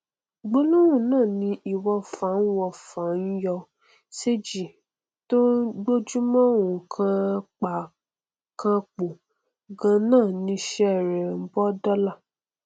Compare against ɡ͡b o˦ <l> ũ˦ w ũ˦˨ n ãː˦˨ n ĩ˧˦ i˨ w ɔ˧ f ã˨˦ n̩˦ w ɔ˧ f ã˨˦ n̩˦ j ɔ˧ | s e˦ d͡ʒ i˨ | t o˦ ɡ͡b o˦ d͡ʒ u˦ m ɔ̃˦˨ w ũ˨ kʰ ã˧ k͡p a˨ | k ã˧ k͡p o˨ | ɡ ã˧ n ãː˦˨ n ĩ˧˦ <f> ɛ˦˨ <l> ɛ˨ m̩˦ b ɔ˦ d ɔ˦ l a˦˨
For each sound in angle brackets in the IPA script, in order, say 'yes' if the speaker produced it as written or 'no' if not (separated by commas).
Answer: yes, no, no